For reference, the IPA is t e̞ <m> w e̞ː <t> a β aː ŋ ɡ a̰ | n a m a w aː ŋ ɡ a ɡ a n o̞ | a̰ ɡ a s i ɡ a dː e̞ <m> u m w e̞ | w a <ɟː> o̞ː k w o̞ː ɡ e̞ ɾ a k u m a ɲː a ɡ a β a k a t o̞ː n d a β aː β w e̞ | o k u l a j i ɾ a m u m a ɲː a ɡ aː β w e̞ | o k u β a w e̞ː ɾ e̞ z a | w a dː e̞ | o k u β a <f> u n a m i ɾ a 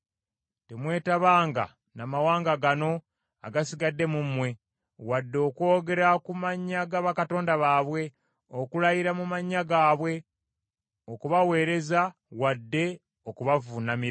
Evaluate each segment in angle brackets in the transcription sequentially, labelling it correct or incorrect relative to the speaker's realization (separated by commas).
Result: correct, correct, correct, incorrect, incorrect